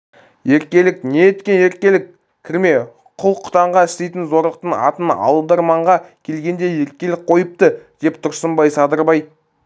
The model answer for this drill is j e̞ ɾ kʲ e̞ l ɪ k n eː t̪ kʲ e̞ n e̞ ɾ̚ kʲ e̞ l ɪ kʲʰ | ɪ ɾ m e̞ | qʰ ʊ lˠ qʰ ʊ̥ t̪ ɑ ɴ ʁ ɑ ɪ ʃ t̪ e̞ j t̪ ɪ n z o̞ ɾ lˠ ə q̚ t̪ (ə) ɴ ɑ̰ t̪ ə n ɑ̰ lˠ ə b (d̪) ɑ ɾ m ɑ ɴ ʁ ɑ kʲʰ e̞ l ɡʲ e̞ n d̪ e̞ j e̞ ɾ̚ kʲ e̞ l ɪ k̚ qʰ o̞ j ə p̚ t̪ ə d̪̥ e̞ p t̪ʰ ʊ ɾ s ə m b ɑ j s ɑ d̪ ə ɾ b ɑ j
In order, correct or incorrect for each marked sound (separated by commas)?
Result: correct, correct